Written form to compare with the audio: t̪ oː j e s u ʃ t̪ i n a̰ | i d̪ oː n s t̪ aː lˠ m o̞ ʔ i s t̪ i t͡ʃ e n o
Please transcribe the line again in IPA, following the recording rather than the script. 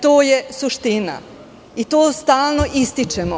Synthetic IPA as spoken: t̪ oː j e s u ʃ t̪ i n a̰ | i t̪ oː s t̪ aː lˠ n o̞ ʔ i s t̪ i t͡ʃ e m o

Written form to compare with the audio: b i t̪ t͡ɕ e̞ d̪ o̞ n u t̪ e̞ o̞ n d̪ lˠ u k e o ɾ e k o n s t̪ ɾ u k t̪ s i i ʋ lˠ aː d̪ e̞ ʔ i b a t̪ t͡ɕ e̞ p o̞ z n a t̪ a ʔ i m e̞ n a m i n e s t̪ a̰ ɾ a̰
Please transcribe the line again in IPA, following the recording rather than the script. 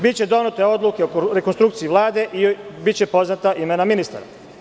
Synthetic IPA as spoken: b i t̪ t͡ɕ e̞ d̪ o̞ n u t̪ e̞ o̞ d̪ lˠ u k e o ɾ e k o n s t̪ ɾ u k t̪ s i i ʋ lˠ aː d̪ e̞ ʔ i b i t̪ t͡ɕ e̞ p o̞ z n a t̪ a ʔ i m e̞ n a m i n i s t̪ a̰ ɾ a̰

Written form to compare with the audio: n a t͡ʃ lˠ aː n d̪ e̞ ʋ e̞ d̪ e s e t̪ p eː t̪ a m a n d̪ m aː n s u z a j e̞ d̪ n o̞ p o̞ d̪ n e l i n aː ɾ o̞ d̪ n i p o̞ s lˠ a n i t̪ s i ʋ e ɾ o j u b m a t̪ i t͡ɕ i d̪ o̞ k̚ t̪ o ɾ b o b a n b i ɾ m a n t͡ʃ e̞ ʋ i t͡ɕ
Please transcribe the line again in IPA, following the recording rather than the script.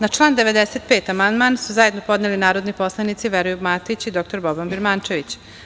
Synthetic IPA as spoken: n a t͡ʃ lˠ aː n d̪ e̞ ʋ e̞ d̪ e s e t̪ p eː t̪ a m a n d̪ m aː n s u z a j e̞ d̪ n o̞ p o̞ d̪ n e l i n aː ɾ o̞ d̪ n i p o̞ s lˠ a n i t̪ s i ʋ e ɾ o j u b m a t̪ i t͡ɕ i d̪ o̞ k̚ t̪ o ɾ b o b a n b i ɾ m a n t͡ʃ e̞ ʋ i t͡ɕ

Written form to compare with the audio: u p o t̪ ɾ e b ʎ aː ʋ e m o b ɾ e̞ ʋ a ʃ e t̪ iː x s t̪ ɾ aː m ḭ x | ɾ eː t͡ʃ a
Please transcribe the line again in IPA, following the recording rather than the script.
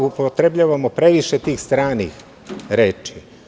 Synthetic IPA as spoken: u p o t̪ ɾ e b ʎ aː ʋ a m o p ɾ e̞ ʋ i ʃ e t̪ iː x s t̪ ɾ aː n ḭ x | ɾ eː t͡ʃ i

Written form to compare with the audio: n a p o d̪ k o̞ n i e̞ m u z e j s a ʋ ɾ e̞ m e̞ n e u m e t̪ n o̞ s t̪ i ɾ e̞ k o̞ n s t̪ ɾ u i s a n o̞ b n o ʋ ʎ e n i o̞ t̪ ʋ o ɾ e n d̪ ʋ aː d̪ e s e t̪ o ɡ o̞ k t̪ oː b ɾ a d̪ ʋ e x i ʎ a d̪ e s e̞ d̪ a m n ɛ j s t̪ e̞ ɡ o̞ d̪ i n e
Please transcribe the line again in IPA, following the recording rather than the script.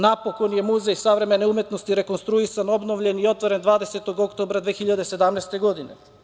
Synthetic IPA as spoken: n a p o k o̞ n j e̞ m u z e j s a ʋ ɾ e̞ m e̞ n e u m e t̪ n o̞ s t̪ i ɾ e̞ k o̞ n s t̪ ɾ u i s a n o̞ b n o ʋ ʎ e n i o̞ t̪ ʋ o ɾ e n d̪ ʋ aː d̪ e s e t̪ o ɡ o̞ k t̪ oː b ɾ a d̪ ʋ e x i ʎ a d̪ e s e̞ d̪ a m n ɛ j s t̪ e̞ ɡ o̞ d̪ i n e

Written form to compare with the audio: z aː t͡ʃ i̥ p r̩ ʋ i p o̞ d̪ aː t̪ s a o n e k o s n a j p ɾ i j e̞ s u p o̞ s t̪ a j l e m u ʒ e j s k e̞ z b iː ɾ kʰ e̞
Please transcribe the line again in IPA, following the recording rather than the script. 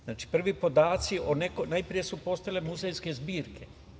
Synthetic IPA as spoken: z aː t͡ʃ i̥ p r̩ ʋ i p o̞ d̪ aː t̪ s i o n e k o n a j p ɾ i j e̞ s u p o̞ s t̪ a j l e m u z e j s k e̞ z b iː ɾ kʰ e̞

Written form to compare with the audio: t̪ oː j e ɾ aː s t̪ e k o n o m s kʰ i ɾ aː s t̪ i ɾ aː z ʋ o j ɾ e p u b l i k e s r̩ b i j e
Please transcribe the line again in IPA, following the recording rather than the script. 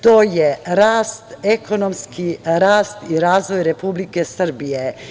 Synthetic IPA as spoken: t̪ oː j e ɾ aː s t̪ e k o n o m s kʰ i ɾ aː s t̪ i ɾ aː z ʋ o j ɾ e p u b l i k e s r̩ b i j e

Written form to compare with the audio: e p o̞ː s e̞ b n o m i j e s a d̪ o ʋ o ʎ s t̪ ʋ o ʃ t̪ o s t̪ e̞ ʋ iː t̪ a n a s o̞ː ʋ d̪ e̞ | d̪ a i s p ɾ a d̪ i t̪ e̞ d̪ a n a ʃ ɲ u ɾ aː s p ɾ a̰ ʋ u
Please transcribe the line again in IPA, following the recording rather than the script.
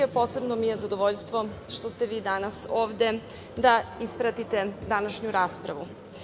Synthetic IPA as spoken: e p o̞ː s e̞ b n o m i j e z a d̪ o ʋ o ʎ s t̪ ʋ o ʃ t̪ o s t̪ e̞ ʋ iː d̪ a n a s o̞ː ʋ d̪ e̞ | d̪ a i s p ɾ a t̪ i t̪ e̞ d̪ a n a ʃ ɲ u ɾ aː s p ɾ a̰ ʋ u

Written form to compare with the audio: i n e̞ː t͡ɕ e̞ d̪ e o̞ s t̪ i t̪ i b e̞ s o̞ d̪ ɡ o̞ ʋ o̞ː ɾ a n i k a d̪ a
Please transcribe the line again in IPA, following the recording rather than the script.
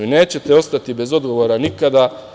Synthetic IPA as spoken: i n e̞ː t͡ɕ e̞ t̪ e o̞ s t̪ a t̪ i b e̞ z o̞ d̪ ɡ o̞ ʋ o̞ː ɾ a n i k a d̪ a

